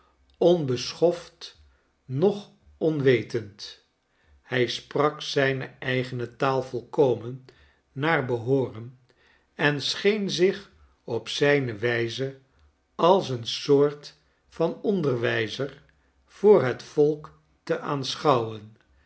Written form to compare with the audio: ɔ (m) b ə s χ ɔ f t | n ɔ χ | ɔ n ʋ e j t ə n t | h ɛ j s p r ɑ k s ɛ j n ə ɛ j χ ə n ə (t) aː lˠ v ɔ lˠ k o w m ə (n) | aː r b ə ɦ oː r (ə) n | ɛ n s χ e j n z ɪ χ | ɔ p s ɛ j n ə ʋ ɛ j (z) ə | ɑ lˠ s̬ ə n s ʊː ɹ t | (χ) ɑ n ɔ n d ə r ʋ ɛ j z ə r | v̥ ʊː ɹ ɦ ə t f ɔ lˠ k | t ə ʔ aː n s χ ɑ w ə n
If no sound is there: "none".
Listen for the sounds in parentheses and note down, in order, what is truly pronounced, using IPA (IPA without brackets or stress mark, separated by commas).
n, t, nː, ə, z, f